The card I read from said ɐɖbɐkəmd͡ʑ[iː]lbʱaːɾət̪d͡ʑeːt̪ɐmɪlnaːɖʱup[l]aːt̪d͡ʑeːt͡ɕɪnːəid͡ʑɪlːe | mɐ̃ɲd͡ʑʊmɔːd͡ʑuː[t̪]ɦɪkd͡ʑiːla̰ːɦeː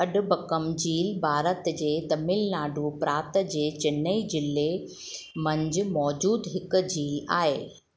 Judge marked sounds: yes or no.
yes, no, no

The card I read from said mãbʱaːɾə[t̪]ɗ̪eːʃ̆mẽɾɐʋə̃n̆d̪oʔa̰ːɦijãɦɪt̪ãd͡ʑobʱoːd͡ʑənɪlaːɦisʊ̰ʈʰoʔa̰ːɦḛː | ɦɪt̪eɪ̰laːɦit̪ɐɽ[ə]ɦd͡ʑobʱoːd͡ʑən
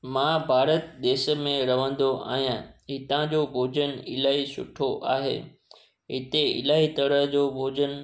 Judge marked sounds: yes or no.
yes, yes

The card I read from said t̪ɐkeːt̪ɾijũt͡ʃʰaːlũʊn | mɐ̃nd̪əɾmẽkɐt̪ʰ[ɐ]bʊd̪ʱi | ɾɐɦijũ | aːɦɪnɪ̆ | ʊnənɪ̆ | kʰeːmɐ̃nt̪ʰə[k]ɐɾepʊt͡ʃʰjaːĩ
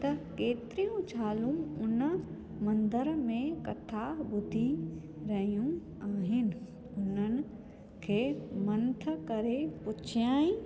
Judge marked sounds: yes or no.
no, yes

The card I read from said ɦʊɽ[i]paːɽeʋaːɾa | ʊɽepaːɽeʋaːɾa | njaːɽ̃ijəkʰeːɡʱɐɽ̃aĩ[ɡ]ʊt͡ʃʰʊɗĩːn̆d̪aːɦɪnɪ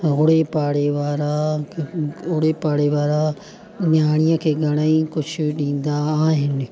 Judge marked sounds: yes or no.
no, no

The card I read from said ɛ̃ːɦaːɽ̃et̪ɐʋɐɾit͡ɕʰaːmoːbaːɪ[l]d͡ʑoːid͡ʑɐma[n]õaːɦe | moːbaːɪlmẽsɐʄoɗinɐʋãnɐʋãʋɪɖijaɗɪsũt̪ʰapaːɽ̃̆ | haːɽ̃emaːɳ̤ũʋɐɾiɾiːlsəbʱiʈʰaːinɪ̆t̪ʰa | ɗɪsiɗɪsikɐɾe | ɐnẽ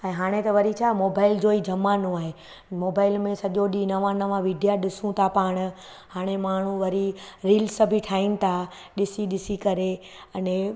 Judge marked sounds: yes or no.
yes, yes

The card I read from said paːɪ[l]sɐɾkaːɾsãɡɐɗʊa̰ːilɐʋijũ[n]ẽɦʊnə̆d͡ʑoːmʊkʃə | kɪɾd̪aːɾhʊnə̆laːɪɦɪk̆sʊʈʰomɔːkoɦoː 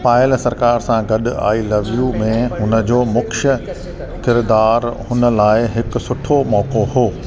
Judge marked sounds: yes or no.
yes, no

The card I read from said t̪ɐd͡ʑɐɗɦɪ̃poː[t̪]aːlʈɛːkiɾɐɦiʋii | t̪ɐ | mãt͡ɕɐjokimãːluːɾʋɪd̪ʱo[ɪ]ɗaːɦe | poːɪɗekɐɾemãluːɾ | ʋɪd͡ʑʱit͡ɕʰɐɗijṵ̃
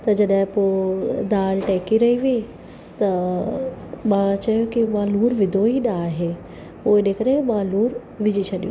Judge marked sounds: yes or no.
no, no

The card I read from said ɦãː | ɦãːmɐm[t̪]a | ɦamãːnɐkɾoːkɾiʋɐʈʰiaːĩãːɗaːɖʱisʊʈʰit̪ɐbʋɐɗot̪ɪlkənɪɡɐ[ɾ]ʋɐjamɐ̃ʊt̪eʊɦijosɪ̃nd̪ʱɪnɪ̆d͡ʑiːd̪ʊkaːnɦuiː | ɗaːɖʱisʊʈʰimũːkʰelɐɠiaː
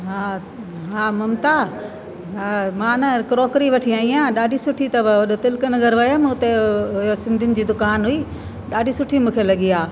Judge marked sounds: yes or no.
yes, yes

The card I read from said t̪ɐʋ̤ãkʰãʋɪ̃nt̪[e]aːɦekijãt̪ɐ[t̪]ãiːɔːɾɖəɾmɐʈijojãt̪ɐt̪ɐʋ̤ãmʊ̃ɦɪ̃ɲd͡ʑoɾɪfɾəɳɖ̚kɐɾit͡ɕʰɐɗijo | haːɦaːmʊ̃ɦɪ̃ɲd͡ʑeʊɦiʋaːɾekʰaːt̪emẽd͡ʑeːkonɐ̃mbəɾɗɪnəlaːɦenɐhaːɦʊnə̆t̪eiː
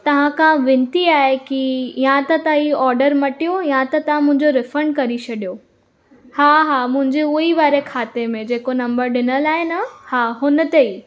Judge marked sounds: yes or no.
no, yes

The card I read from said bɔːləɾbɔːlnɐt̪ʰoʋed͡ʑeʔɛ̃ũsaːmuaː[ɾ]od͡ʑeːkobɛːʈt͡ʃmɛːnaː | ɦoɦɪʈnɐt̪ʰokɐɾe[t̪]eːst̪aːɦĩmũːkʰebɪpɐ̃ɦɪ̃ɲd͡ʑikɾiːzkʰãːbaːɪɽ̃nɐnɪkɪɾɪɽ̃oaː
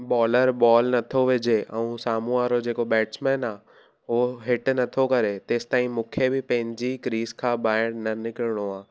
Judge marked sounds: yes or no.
yes, yes

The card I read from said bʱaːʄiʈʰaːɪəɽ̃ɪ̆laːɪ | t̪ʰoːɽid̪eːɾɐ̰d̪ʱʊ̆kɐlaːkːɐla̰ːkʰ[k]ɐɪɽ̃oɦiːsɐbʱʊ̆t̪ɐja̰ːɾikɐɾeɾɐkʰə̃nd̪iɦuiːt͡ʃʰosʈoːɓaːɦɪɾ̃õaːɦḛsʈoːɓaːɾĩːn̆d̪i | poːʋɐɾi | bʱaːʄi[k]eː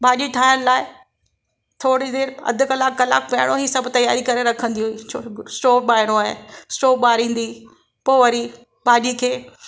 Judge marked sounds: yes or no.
no, no

